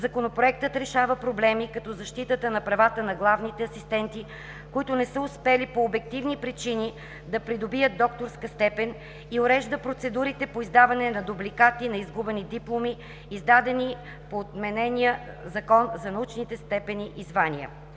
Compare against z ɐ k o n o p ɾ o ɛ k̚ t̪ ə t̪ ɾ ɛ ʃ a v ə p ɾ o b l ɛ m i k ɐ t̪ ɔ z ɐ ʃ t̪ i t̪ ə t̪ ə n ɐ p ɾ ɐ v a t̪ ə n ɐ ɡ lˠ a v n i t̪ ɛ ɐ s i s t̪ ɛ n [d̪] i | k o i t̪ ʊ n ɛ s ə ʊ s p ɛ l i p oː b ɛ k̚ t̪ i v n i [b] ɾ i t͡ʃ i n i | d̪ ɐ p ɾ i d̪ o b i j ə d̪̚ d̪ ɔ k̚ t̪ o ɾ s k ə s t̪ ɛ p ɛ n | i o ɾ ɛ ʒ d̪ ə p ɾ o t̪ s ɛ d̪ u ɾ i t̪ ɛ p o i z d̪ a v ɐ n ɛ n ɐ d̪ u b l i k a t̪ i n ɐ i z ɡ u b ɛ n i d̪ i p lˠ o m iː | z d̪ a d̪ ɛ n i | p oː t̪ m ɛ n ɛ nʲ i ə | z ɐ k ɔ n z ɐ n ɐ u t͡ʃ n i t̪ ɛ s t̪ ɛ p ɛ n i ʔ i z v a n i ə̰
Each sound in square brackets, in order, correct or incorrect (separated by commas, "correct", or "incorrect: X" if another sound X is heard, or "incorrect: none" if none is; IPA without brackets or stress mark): incorrect: t̪, incorrect: p